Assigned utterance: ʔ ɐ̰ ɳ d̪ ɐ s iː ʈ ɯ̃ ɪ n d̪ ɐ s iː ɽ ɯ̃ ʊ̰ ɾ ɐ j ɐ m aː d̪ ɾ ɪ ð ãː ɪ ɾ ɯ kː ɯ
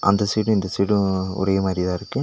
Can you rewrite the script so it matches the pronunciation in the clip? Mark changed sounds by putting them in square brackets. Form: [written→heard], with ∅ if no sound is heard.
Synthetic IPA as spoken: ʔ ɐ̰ [ɳ→n] d̪ ɐ s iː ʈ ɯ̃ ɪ n d̪ ɐ s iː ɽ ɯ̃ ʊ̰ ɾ ɐ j ɐ m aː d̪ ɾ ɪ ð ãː ɪ ɾ ɯ kː ɯ

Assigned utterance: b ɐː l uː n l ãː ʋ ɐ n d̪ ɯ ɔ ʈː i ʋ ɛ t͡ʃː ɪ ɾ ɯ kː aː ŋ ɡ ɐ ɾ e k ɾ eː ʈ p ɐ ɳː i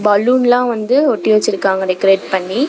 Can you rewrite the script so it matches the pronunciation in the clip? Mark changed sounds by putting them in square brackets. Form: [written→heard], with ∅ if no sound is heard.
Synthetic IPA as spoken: b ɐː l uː n l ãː ʋ ɐ n d̪ ɯ ɔ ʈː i ʋ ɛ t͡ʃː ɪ ɾ ɯ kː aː ŋ ɡ ɐ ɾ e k ɾ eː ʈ p ɐ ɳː i

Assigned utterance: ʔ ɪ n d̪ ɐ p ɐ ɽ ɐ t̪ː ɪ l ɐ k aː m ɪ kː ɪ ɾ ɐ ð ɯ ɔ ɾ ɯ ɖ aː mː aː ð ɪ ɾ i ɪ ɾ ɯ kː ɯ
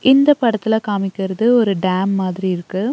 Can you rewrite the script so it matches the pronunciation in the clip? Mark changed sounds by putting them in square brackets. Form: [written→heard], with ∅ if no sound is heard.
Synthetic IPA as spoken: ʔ ɪ n d̪ ɐ p ɐ ɽ ɐ t̪ː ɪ l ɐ k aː m ɪ kː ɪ ɾ ɐ ð ɯ ɔ ɾ ɯ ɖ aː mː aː ð ɪ ɾ i ɪ ɾ ɯ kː ɯ

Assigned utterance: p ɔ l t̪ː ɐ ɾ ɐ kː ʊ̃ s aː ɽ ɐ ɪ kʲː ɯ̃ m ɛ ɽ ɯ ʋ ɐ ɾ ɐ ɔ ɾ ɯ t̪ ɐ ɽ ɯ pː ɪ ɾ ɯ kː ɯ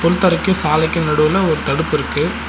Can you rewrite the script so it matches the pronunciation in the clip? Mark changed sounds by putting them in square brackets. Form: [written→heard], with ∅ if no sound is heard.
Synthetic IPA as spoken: p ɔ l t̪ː ɐ ɾ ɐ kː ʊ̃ s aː [ɽ→l] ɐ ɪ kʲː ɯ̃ [m→n] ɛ ɽ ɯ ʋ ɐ [ɾ→l] ɐ ɔ ɾ ɯ t̪ ɐ ɽ ɯ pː ɪ ɾ ɯ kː ɯ

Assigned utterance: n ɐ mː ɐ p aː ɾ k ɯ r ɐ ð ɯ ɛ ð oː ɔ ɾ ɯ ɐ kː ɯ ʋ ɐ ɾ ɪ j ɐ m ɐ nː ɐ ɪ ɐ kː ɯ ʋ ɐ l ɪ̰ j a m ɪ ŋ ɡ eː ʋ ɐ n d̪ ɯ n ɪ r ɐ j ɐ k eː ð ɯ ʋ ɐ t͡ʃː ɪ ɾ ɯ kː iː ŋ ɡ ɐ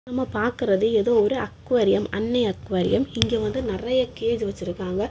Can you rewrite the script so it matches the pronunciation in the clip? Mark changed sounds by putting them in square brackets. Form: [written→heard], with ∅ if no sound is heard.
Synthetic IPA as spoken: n ɐ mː ɐ p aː ɾ k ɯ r ɐ ð ɯ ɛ ð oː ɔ ɾ ɯ ɐ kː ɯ ʋ ɐ ɾ ɪ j ɐ m ɐ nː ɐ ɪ ɐ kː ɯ ʋ ɐ [l→ɾ] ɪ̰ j [a→ɐ] m ɪ ŋ ɡ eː ʋ ɐ n d̪ ɯ n ɪ r ɐ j ɐ k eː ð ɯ ʋ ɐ t͡ʃː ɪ ɾ ɯ kː [iː→aː] ŋ ɡ ɐ

